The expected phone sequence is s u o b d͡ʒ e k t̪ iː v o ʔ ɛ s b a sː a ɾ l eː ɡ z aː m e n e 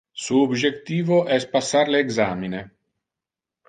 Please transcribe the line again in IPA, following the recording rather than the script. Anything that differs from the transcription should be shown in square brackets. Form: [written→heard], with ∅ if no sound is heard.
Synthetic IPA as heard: s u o b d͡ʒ e k t̪ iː v o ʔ ɛ s [b→p] a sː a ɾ l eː ɡ z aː m [e→i] n e